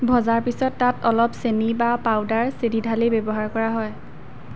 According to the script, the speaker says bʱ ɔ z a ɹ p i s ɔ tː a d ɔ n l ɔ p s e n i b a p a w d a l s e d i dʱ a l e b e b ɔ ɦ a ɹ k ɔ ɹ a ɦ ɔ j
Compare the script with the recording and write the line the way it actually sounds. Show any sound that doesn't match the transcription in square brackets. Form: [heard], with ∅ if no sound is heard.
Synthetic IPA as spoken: bʱ ɔ z a ɹ p i s ɔ tː a [t] ɔ [∅] l ɔ p s e n i b a p a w d a [ɹ] s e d i dʱ a l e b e b ɔ ɦ a ɹ k ɔ ɹ a ɦ ɔ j